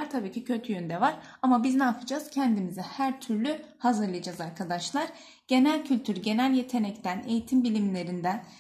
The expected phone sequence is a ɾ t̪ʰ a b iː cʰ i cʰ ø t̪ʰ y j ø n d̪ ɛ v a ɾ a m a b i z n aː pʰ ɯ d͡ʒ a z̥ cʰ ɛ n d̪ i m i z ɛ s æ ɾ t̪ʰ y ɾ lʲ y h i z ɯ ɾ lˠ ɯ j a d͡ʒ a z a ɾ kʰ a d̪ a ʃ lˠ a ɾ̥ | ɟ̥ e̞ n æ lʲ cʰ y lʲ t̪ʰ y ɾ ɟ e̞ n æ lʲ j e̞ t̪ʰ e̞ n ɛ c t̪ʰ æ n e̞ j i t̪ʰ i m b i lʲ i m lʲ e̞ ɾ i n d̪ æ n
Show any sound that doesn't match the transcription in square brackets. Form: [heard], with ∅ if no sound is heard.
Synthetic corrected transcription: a ɾ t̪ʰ a b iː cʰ i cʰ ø t̪ʰ y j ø n d̪ ɛ v a ɾ a m a b i z n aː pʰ ɯ d͡ʒ a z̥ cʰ ɛ n d̪ i m i z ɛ [h] æ ɾ t̪ʰ y ɾ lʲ y h [a] z ɯ ɾ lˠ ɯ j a d͡ʒ a z a ɾ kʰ a d̪ a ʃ lˠ a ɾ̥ | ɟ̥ e̞ n æ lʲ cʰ y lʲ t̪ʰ y ɾ ɟ e̞ n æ lʲ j e̞ t̪ʰ e̞ n ɛ c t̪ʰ æ n e̞ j i t̪ʰ i m b i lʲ i m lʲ e̞ ɾ i n d̪ æ n